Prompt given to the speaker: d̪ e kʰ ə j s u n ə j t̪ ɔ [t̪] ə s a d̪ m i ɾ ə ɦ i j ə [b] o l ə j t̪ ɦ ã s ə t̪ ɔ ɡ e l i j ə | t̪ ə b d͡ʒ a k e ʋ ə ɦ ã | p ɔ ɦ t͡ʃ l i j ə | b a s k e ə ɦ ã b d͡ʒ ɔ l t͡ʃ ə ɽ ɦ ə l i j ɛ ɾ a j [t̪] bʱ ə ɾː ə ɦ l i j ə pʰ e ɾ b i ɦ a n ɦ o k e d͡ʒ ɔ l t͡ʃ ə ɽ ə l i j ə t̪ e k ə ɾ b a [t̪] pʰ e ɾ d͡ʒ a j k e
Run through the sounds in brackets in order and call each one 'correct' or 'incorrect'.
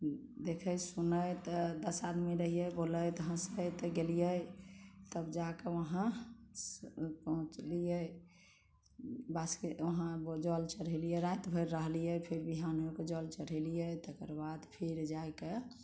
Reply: incorrect: d̪, correct, correct, incorrect: d̪

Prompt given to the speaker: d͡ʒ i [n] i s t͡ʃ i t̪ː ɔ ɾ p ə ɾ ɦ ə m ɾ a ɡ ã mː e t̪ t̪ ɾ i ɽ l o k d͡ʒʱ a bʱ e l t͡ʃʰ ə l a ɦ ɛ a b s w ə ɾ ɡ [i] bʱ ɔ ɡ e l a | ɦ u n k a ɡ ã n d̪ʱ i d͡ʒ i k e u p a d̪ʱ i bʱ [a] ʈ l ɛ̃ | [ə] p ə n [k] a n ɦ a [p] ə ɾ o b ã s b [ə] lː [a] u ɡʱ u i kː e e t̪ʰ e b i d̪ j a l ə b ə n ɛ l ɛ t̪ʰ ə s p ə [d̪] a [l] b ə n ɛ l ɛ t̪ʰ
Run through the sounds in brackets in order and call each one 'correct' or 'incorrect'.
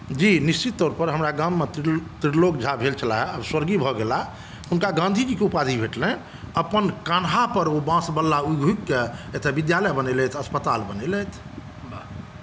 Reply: correct, correct, incorrect: e, correct, correct, correct, correct, correct, incorrect: t̪, correct

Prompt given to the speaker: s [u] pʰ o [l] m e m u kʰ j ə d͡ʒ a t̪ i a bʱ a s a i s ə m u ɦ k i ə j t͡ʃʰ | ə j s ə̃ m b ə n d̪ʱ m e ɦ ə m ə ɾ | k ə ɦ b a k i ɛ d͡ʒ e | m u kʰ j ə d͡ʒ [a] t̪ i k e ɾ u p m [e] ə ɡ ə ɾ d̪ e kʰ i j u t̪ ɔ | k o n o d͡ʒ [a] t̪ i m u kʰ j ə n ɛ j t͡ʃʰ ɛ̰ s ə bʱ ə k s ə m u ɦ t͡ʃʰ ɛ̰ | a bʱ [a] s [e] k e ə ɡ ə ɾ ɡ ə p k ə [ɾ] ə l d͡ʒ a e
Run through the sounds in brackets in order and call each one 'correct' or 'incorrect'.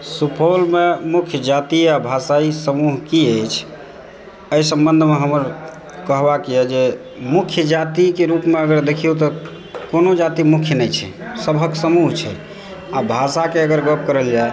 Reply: correct, correct, correct, correct, correct, correct, incorrect: a, correct

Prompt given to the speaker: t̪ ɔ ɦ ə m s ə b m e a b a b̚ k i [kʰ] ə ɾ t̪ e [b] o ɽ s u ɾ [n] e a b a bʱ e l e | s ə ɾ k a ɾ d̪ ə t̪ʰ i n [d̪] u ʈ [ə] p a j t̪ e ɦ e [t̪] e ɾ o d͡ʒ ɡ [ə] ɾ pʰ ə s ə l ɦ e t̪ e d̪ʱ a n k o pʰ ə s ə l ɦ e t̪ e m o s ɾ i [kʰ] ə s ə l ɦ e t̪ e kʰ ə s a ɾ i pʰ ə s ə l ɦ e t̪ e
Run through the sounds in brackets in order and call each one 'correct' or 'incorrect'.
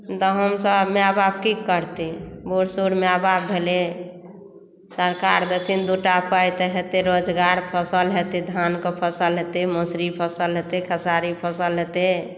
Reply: incorrect: k, correct, incorrect: m, correct, incorrect: a, correct, incorrect: a, incorrect: pʰ

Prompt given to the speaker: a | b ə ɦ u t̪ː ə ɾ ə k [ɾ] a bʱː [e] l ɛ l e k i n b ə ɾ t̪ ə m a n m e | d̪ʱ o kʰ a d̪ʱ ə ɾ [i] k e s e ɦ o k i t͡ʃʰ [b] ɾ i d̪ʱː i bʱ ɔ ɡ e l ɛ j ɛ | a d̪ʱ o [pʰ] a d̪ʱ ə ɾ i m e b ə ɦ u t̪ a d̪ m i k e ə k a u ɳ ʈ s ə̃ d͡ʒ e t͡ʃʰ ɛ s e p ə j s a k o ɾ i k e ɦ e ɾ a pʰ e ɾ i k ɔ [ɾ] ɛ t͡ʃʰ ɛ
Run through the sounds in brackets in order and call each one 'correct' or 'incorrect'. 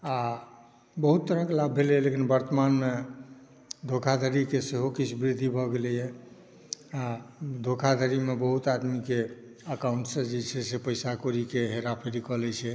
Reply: incorrect: l, correct, correct, correct, incorrect: kʰ, incorrect: l

